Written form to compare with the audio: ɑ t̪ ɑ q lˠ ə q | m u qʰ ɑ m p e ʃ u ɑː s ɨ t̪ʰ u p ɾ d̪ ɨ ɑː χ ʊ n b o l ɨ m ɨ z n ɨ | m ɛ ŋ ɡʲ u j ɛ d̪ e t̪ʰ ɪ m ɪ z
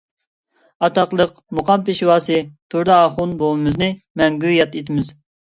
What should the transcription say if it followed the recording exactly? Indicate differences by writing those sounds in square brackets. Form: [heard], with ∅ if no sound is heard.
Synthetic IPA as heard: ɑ t̪ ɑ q lˠ ə q | m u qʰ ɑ m p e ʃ [w] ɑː s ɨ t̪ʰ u [∅] ɾ d̪ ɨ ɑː χ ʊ n b o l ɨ m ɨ z n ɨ | m ɛ ŋ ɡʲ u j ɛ [t̪] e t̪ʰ ɪ m ɪ z